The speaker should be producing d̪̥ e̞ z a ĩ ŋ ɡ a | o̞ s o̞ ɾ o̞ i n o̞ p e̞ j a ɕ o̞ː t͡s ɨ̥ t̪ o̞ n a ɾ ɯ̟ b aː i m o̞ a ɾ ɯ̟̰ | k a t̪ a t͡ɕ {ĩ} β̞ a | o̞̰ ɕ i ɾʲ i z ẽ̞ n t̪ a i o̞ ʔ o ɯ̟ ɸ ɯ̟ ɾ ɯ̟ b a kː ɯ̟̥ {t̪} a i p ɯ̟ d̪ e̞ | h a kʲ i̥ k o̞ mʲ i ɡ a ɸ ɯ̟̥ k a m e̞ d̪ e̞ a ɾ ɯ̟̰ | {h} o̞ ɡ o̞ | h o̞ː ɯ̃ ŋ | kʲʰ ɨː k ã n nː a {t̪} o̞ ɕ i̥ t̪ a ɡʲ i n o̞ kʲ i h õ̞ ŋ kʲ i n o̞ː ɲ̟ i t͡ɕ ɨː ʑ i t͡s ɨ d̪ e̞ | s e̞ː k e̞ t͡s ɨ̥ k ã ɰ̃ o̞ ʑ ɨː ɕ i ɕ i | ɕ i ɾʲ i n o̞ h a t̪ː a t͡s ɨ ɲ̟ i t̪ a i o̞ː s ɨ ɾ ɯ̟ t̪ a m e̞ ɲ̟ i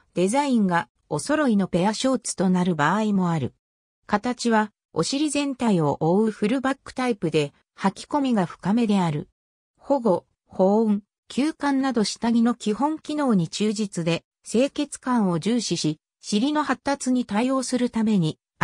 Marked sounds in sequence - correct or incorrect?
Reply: incorrect, correct, correct, incorrect

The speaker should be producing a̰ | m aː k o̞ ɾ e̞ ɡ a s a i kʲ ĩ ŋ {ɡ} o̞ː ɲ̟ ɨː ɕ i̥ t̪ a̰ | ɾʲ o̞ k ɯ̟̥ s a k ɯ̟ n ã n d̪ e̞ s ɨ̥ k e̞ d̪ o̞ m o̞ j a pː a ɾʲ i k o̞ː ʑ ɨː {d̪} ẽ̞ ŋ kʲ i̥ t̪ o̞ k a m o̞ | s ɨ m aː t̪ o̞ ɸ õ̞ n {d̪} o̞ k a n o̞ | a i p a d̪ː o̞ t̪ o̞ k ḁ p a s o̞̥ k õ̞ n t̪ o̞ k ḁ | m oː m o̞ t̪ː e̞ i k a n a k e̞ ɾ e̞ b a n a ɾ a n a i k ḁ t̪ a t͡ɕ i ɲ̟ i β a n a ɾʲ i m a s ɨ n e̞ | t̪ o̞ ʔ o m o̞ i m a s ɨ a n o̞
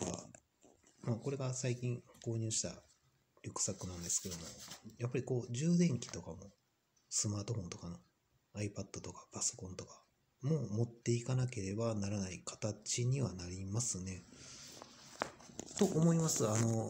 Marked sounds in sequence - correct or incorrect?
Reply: incorrect, correct, incorrect

